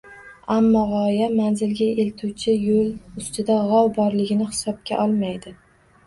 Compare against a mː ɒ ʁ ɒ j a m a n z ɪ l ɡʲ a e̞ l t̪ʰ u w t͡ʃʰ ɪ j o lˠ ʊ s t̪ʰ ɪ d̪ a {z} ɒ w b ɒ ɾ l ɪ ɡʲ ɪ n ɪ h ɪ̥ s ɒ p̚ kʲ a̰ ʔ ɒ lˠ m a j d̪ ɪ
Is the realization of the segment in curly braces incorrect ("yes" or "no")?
yes